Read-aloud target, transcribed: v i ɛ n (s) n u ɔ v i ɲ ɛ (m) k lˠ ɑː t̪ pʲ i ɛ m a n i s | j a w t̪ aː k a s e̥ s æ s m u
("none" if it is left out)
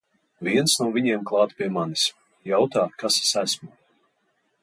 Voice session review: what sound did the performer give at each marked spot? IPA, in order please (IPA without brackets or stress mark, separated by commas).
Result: s, m